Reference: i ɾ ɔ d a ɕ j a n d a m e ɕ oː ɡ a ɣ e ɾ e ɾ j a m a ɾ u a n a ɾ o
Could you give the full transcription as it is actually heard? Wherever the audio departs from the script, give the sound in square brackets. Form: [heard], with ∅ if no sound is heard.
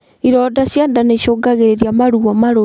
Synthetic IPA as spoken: i ɾ ɔ d a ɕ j a n d a [n] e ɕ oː ɡ a ɣ e ɾ e ɾ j a m a ɾ u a [m] a ɾ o